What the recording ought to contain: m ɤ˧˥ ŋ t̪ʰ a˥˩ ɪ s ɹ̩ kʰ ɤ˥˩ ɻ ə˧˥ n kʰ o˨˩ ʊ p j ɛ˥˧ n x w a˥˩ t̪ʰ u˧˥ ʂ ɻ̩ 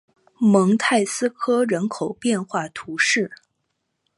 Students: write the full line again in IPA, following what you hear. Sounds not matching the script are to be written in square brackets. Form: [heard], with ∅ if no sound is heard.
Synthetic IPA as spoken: m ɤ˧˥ ŋ t̪ʰ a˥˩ ɪ s ɹ̩ kʰ [ɤ˥] ɻ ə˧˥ n kʰ o˨˩ ʊ p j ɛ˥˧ n x w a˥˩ t̪ʰ u˧˥ ʂ ɻ̩